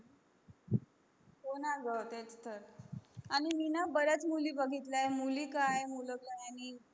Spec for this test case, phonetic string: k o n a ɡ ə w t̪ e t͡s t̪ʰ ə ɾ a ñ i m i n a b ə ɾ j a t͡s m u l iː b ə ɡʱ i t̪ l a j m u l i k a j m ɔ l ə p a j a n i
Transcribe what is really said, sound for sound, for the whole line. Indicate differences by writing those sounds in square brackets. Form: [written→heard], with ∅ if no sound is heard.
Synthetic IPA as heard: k o n a ɡ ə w t̪ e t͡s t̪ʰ ə ɾ a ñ i m i n a b ə ɾ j a t͡s m u l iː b ə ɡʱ i t̪ l a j m u l i k a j m [ɔ→u] l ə [p→k] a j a n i

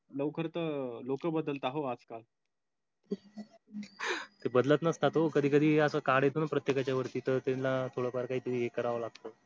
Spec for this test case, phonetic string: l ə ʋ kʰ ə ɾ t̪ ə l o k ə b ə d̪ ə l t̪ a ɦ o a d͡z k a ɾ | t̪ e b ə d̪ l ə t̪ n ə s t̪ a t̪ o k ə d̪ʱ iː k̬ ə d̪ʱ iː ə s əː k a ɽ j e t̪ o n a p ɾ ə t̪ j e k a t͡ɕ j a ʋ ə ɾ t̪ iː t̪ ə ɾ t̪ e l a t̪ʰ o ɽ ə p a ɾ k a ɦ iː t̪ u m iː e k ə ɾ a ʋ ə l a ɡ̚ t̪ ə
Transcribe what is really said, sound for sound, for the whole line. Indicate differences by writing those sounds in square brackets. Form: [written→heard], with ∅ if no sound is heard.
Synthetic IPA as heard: l ə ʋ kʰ ə ɾ t̪ ə l o k ə b ə d̪ ə l t̪ a ɦ o a d͡z k a [ɾ→l] | t̪ e b ə d̪ l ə t̪ n ə s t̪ a t̪ o k ə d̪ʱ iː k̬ ə d̪ʱ iː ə s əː k a ɽ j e t̪ o n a p ɾ ə t̪ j e k a t͡ɕ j a ʋ ə ɾ t̪ iː t̪ ə ɾ t̪ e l a t̪ʰ o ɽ ə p a ɾ k a ɦ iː t̪ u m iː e k ə ɾ a ʋ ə l a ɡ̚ t̪ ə

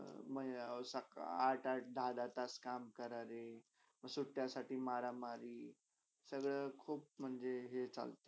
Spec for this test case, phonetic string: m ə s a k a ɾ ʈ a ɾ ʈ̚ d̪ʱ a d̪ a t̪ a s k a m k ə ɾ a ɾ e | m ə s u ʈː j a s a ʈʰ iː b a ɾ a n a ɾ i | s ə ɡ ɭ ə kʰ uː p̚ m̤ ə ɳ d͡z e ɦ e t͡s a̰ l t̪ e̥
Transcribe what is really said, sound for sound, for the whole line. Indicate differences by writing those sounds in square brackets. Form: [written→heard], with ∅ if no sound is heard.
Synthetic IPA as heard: m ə s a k a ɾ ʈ a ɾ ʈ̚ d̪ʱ a d̪ a t̪ a s k a m k ə ɾ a ɾ e | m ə s u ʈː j a s a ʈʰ iː [b→m] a ɾ a [n→m] a ɾ i | s ə ɡ ɭ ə kʰ uː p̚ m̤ ə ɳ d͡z e ɦ e t͡s a̰ l t̪ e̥

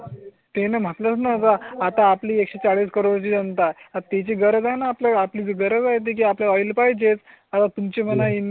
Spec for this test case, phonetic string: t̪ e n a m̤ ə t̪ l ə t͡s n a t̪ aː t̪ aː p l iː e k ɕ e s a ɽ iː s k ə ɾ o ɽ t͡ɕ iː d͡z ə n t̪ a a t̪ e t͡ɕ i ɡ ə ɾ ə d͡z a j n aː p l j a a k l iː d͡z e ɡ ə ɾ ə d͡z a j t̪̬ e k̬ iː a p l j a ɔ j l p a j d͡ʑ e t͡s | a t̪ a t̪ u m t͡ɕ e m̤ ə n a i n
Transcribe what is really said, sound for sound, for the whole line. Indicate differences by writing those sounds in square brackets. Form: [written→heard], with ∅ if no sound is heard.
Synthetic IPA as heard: t̪ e n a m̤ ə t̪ l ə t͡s n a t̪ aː t̪ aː p l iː e k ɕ e [s→t͡s] a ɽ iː s k ə ɾ o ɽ t͡ɕ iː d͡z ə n t̪ a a t̪ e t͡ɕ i ɡ ə ɾ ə d͡z a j n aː p l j a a [k→p] l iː d͡z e ɡ ə ɾ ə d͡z a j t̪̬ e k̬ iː a p l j a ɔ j l p a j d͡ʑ e t͡s | a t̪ a t̪ u m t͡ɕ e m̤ ə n a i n

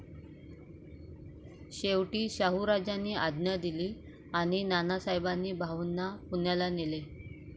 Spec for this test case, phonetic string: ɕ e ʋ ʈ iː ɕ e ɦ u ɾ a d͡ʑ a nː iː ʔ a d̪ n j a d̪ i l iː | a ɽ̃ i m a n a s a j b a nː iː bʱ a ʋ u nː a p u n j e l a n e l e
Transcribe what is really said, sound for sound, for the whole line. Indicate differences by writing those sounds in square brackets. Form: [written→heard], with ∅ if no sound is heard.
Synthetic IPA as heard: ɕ e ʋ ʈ iː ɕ [e→a] ɦ u ɾ a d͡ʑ a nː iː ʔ a d̪ n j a d̪ i l iː | a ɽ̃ i [m→n] a n a s a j b a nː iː bʱ a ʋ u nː a p u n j [e→a] l a n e l e

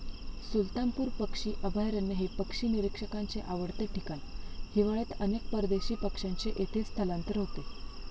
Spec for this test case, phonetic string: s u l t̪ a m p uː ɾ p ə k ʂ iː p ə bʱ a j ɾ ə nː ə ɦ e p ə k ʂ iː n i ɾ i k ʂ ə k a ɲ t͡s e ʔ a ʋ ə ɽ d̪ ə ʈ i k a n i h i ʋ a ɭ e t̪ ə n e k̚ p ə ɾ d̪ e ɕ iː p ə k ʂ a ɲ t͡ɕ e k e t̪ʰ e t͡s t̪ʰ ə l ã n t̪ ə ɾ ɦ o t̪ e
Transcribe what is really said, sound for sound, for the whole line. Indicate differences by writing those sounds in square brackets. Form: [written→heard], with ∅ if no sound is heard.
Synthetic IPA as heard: s u l t̪ a m p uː ɾ p ə k ʂ iː [p→ʔ] ə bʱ a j ɾ ə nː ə ɦ e p ə k ʂ iː n i ɾ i k ʂ ə k a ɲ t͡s e ʔ a ʋ ə ɽ [d̪→t̪] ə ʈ i k a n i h i ʋ a ɭ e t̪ ə n e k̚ p ə ɾ d̪ e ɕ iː p ə k ʂ a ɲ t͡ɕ e [k→ʔ] e t̪ʰ e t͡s t̪ʰ ə l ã n t̪ ə ɾ ɦ o t̪ e

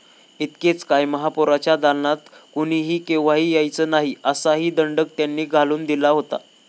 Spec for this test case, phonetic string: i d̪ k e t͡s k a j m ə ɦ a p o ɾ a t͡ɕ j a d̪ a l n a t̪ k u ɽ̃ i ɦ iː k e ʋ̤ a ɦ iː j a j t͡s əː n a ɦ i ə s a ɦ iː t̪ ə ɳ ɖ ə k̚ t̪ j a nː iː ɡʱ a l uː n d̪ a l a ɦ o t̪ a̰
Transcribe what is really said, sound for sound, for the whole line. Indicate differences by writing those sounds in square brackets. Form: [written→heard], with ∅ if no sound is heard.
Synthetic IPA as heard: i [d̪→t̪] k e t͡s k a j m ə ɦ a p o ɾ a t͡ɕ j a d̪ a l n a t̪ k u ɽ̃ i ɦ iː k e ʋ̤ a ɦ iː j a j t͡s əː n a ɦ i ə s a ɦ iː [t̪→d̪] ə ɳ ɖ ə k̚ t̪ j a nː iː ɡʱ a l uː n d̪ [a→i] l a ɦ o t̪ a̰

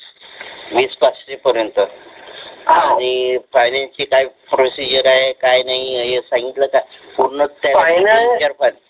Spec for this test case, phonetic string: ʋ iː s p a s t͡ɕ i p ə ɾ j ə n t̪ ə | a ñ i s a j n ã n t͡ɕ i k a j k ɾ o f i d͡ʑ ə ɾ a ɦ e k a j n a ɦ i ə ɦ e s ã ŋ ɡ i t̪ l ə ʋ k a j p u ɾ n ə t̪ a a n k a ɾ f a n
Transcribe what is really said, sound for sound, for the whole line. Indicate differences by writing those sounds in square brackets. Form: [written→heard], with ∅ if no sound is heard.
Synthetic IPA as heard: ʋ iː s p a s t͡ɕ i p ə ɾ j ə n t̪ ə | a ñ i [s→f] a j n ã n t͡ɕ i k a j [k→p] ɾ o [f→s] i d͡ʑ ə ɾ a ɦ e k a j n a ɦ i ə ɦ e s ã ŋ ɡ i t̪ l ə [ʋ→∅] k a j p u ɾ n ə t̪ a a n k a ɾ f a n

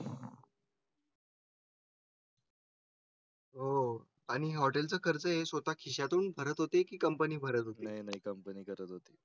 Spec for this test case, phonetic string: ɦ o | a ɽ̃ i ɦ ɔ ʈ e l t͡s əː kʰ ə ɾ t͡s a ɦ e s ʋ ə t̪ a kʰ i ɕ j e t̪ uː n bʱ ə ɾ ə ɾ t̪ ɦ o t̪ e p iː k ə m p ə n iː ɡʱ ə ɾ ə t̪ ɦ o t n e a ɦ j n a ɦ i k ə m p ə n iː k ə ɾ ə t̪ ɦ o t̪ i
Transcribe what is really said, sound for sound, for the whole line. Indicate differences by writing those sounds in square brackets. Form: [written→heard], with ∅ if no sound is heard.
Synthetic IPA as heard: ɦ o | a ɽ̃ i ɦ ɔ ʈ e l t͡s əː kʰ ə ɾ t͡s [a→ə] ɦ e s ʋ ə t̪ a kʰ i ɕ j [e→a] t̪ uː n bʱ ə ɾ ə [ɾ→∅] t̪ ɦ o t̪ e [p→k] iː k ə m p ə n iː [ɡʱ→bʱ] ə ɾ ə t̪ ɦ o t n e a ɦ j n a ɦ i k ə m p ə n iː k ə ɾ ə t̪ ɦ o t̪ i

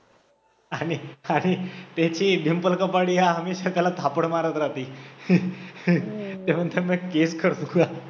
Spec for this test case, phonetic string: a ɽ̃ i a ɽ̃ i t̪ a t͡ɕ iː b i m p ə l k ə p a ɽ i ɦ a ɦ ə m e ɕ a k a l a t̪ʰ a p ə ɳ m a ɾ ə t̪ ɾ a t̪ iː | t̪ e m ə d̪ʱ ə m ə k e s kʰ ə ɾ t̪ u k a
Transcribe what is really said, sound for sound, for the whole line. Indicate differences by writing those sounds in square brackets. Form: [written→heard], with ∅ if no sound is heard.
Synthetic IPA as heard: a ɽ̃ i a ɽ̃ i t̪ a t͡ɕ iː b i m p ə l k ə p a ɽ i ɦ a ɦ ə m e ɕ a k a l a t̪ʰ a p ə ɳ m a ɾ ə t̪ ɾ a t̪ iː | t̪ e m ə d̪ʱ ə m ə k e s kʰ ə ɾ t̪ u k a

